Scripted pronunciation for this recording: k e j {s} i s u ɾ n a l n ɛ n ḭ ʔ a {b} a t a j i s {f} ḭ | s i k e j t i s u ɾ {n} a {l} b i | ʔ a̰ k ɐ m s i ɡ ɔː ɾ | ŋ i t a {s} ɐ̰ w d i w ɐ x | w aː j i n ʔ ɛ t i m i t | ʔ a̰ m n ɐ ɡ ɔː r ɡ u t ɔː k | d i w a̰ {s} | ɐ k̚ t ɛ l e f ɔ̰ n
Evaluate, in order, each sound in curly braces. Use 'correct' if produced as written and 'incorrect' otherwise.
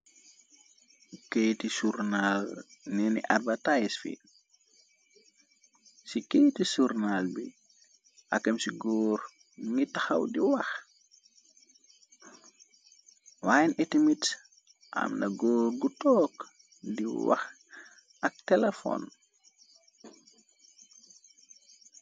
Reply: incorrect: t, correct, correct, correct, correct, incorrect: x, incorrect: x

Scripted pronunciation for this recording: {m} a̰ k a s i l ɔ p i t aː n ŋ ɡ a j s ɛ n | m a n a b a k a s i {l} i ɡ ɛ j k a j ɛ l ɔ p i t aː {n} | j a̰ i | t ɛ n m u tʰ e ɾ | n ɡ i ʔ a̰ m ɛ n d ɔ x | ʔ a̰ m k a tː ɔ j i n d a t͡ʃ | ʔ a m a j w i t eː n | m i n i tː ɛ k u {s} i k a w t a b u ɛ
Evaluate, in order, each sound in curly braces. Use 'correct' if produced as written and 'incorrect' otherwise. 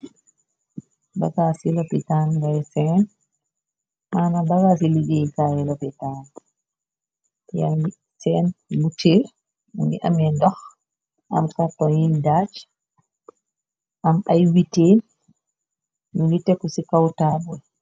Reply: incorrect: b, correct, correct, correct

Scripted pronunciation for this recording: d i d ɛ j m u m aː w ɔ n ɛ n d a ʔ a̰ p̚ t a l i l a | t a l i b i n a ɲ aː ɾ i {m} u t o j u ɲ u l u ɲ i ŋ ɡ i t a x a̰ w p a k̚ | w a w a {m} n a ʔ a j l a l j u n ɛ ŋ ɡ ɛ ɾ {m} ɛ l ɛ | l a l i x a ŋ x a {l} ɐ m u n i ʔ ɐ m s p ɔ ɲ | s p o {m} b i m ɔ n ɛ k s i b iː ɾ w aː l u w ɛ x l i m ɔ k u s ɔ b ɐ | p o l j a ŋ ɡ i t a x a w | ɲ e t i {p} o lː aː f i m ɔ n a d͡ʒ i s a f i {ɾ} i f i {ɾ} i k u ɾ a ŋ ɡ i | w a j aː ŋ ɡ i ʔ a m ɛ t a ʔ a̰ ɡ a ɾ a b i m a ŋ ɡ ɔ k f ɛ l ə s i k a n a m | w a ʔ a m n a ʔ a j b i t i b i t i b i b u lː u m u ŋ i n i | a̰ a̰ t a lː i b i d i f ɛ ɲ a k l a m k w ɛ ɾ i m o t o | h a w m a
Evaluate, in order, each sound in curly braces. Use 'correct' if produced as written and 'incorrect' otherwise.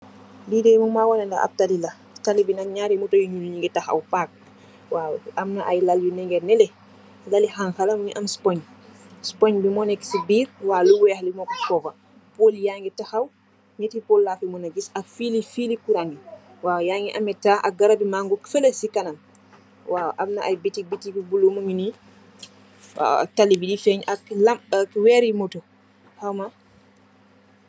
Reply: correct, correct, incorrect: n, correct, incorrect: ɲ, correct, incorrect: l, incorrect: l

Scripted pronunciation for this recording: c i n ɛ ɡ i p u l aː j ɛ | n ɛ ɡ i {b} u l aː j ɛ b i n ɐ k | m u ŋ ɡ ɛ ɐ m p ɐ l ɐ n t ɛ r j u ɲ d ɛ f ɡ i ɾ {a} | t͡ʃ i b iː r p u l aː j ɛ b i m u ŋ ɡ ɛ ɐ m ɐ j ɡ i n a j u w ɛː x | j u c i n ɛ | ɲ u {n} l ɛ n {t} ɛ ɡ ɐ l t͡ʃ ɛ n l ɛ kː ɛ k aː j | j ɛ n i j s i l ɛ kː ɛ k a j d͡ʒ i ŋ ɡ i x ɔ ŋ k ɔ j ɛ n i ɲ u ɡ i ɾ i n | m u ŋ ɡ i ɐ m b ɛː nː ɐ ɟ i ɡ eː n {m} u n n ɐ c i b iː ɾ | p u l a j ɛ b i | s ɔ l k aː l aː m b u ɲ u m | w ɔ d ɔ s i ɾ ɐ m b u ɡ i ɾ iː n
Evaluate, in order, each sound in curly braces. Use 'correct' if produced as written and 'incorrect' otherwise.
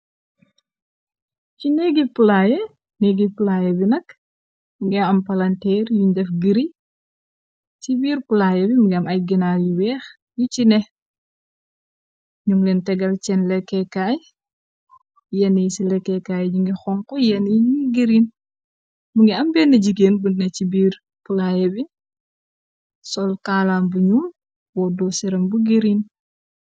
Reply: incorrect: p, incorrect: i, incorrect: ŋ, correct, incorrect: b

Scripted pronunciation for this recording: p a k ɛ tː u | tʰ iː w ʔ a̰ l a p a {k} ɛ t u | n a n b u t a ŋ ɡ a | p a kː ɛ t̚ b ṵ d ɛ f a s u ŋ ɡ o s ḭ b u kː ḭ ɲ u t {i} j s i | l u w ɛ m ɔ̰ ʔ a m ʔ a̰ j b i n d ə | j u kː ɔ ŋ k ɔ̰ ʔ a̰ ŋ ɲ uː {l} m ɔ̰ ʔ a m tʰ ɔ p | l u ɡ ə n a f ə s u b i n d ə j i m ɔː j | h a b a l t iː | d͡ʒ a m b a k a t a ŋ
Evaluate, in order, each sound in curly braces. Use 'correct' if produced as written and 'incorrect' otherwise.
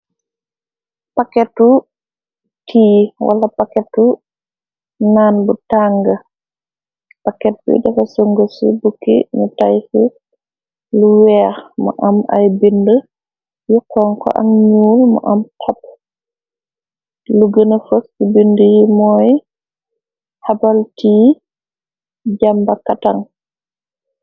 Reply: correct, incorrect: a, correct

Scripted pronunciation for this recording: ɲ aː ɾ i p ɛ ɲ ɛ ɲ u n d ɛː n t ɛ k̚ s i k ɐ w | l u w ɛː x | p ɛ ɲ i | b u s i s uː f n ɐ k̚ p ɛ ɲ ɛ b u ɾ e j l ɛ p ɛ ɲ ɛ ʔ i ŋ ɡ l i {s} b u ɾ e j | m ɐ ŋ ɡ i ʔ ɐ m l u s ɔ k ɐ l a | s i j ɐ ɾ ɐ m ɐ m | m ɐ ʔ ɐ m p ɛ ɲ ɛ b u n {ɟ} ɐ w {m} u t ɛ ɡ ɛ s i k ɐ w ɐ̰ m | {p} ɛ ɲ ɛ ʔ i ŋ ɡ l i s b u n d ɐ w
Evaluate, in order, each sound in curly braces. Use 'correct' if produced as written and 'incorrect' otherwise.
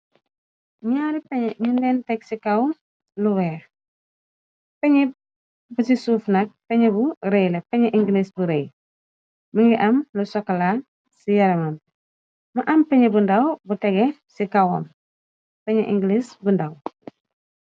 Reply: correct, incorrect: d, incorrect: b, correct

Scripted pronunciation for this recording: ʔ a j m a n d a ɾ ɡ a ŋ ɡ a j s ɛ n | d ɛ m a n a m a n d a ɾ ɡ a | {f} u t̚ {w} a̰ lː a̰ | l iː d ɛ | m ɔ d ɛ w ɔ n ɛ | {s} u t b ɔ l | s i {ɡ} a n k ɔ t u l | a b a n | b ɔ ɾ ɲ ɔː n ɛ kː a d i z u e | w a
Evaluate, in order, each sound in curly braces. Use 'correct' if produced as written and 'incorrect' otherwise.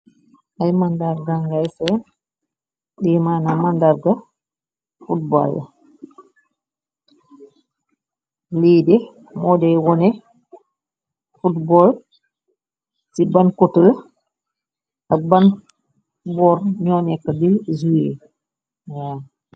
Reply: correct, incorrect: b, incorrect: f, incorrect: b

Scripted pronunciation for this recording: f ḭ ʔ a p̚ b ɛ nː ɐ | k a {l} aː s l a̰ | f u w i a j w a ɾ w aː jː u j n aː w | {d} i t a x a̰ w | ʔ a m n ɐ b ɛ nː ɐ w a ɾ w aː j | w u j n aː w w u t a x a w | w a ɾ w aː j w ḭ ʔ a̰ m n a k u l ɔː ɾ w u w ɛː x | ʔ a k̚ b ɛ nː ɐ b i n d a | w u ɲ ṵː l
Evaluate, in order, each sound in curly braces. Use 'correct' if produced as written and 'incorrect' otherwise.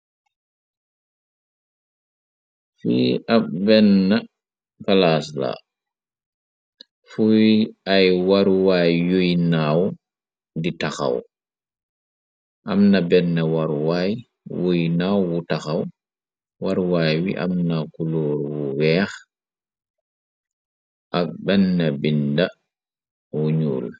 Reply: correct, correct

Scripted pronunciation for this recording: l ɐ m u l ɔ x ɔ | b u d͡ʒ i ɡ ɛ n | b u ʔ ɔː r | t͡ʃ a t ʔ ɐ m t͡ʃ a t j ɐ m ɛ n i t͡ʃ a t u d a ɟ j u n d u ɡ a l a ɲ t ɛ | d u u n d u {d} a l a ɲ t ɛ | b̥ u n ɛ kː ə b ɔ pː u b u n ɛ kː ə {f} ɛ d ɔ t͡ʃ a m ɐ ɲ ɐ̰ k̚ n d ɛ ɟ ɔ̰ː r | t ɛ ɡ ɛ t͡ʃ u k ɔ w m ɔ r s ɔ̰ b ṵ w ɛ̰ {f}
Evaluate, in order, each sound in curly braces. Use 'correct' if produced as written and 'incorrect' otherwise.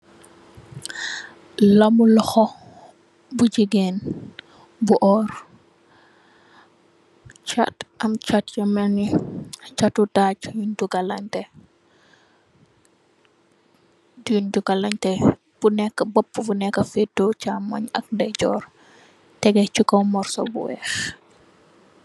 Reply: incorrect: ɡ, correct, incorrect: x

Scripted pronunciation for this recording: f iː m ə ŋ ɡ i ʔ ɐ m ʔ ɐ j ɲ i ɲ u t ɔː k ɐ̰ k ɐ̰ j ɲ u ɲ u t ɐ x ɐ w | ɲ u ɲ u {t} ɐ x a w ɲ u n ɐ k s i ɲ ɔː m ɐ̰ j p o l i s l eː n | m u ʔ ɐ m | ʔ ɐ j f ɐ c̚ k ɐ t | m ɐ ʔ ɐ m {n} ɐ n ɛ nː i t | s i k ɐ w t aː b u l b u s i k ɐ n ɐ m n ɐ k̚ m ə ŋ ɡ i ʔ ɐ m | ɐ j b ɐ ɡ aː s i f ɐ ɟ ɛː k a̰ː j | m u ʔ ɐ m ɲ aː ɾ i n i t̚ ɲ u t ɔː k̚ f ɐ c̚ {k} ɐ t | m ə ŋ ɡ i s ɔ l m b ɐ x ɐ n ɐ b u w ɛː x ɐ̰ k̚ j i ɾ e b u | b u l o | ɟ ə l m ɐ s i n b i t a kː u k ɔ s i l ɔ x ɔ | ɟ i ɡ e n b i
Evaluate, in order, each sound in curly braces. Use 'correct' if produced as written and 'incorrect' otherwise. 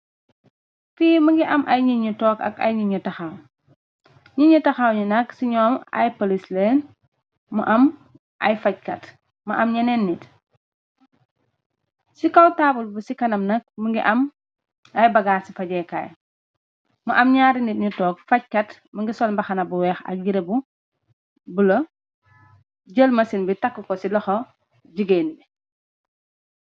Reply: correct, incorrect: ɲ, correct

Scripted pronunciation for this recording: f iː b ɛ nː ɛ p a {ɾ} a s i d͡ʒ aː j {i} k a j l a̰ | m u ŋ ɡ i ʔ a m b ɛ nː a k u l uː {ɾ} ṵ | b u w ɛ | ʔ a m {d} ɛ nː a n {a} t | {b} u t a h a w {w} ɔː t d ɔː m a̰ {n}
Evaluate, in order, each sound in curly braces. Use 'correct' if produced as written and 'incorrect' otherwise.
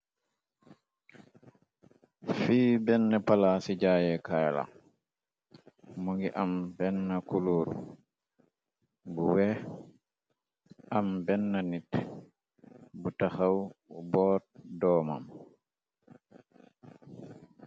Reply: incorrect: l, incorrect: ɛ, correct, incorrect: b, incorrect: i, correct, incorrect: b, incorrect: m

